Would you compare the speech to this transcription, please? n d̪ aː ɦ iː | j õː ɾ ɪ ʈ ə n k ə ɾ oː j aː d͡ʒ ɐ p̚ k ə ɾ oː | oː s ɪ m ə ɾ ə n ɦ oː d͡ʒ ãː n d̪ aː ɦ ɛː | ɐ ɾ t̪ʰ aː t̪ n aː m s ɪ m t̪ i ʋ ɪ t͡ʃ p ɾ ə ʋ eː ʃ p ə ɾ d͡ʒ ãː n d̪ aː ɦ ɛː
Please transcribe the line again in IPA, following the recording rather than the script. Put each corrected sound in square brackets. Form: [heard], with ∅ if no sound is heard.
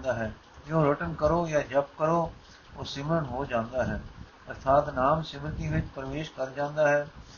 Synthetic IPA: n d̪ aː ɦ [ɛː] | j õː ɾ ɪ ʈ ə n k ə ɾ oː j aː d͡ʒ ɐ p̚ k ə ɾ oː | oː s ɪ m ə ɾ ə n ɦ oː d͡ʒ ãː n d̪ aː ɦ ɛː | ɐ ɾ t̪ʰ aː t̪ n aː m s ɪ m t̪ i ʋ ɪ t͡ʃ p ɾ ə ʋ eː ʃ [k] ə ɾ d͡ʒ ãː n d̪ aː ɦ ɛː